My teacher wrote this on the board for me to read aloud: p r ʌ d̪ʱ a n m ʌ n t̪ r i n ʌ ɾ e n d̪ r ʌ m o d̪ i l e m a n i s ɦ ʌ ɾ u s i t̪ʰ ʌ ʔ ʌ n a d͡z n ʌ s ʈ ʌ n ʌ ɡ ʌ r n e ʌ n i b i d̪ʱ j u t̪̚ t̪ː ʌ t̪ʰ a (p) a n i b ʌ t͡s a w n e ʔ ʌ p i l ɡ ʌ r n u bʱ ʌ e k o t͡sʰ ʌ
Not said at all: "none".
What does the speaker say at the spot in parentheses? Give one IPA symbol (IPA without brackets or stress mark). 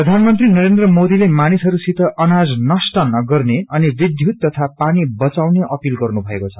p